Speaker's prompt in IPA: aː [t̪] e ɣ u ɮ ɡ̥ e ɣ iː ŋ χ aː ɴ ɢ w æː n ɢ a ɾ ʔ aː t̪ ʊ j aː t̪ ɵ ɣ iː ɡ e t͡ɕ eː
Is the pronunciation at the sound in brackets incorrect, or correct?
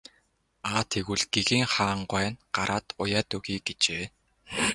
incorrect